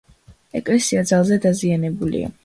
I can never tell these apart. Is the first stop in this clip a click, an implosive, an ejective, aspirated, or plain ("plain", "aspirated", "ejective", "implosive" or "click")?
ejective